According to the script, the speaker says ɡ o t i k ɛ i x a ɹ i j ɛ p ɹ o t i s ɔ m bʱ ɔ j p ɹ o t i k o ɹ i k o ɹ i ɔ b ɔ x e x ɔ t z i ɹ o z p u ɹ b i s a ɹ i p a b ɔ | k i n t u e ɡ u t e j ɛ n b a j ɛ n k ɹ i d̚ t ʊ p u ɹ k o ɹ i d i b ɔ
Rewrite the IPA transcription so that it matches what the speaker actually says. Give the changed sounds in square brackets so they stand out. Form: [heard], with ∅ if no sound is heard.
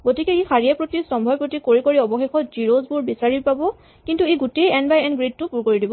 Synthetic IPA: ɡ o t i k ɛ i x a ɹ i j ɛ p ɹ o t i s ɔ m bʱ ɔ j p ɹ o t i k o ɹ i k o ɹ i ɔ b ɔ x e x ɔ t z i ɹ o z [b] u ɹ b i s a ɹ i p a b ɔ | k i n t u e ɡ u t e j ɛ n b a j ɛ n [ɡ] ɹ i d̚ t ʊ p u ɹ k o ɹ i d i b ɔ